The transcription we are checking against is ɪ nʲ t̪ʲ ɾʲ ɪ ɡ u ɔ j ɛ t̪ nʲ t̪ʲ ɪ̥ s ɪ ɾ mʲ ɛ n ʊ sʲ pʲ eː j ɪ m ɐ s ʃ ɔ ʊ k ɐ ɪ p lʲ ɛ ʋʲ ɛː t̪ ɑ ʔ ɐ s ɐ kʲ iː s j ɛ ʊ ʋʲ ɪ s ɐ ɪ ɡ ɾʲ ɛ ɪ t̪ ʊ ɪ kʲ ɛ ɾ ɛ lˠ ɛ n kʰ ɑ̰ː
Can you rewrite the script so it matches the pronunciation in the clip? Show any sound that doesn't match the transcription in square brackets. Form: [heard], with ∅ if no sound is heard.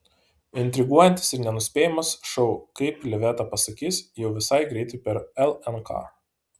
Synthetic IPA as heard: ɪ nʲ t̪ʲ ɾʲ ɪ ɡ u ɔ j ɛ [∅] nʲ t̪ʲ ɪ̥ s ɪ ɾ [nʲ] ɛ n ʊ sʲ pʲ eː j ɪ m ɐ s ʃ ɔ ʊ k ɐ ɪ p lʲ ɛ ʋʲ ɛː t̪ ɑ [p] ɐ s ɐ kʲ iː s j ɛ ʊ ʋʲ ɪ s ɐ ɪ ɡ ɾʲ ɛ ɪ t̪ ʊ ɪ [pʲ] ɛ ɾ ɛ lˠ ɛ n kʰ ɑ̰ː

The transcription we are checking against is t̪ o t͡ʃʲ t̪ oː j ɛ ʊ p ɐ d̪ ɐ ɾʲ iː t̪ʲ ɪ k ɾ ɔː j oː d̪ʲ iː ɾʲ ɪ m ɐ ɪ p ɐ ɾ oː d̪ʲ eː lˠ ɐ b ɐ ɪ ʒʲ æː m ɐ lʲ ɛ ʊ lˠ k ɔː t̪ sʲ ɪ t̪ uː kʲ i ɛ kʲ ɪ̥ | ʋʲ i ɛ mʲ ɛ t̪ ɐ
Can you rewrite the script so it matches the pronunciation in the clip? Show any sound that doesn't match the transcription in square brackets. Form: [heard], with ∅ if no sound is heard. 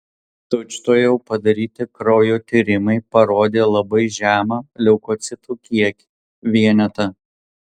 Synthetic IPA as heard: t̪ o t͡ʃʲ t̪ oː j ɛ ʊ p ɐ d̪ ɐ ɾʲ iː t̪ʲ ɪ k ɾ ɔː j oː [t̪ʲ] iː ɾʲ ɪ m ɐ ɪ p ɐ ɾ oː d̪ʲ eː lˠ ɐ b ɐ ɪ ʒʲ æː m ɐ lʲ ɛ ʊ [∅] k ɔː t̪ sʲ ɪ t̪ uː kʲ i ɛ kʲ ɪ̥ | ʋʲ i ɛ [nʲ] ɛ t̪ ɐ

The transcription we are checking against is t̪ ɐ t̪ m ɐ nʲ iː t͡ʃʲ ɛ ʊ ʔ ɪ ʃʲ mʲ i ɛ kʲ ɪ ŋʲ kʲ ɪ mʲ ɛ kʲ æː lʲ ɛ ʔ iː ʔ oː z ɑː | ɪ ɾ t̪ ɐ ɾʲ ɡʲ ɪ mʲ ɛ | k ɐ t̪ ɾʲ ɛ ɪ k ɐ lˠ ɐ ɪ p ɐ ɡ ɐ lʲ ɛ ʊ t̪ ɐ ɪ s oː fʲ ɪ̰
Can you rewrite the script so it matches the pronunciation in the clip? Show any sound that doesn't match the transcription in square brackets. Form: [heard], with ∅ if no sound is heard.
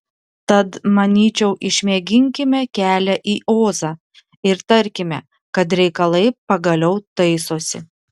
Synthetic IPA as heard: t̪ ɐ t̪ m ɐ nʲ iː t͡ʃʲ ɛ ʊ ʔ ɪ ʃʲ mʲ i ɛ [ɡʲ] ɪ ŋʲ kʲ ɪ mʲ ɛ kʲ æː lʲ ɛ ʔ iː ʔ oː z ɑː | ɪ ɾ t̪ ɐ ɾʲ [kʲ] ɪ mʲ ɛ | k ɐ t̪ ɾʲ ɛ ɪ k ɐ lˠ ɐ ɪ p ɐ ɡ ɐ lʲ ɛ ʊ t̪ ɐ ɪ s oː [sʲ] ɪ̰

